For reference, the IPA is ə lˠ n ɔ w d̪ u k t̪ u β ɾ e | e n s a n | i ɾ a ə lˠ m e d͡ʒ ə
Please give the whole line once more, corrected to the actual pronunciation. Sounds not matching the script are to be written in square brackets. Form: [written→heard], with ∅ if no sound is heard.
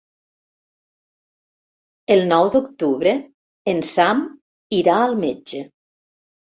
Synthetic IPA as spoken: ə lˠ n ɔ w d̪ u k t̪ u β ɾ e | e n s a [n→m] | i ɾ a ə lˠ m e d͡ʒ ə